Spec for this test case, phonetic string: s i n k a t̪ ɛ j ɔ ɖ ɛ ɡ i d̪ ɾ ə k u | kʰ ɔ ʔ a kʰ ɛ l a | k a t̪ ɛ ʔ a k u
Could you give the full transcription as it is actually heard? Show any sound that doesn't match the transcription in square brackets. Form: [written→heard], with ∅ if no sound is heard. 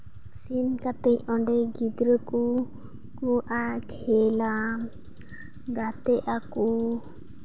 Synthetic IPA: s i n k a t̪ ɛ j ɔ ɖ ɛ ɡ i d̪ ɾ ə k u | [kʰ→k] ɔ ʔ a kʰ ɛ l a | [k→ɡ] a t̪ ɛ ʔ a k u